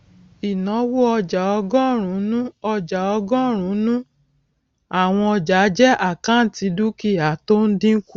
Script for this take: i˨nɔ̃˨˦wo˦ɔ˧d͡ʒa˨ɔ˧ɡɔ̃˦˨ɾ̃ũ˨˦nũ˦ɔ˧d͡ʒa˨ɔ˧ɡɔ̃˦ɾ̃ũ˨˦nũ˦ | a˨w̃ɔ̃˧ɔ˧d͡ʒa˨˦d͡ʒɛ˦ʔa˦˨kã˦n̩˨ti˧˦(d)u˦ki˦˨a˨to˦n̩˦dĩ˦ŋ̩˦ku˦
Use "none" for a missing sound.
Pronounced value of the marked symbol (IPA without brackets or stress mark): d